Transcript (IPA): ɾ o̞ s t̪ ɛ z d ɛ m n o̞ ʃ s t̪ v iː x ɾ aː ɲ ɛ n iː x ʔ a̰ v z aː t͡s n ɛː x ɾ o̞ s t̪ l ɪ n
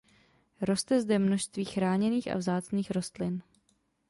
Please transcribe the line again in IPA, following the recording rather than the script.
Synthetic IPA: ɾ o̞ s t̪ ɛ z d ɛ m n o̞ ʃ s t̪ v iː x ɾ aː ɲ ɛ n iː x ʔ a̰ v z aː t͡s n iː x ɾ o̞ s t̪ l ɪ n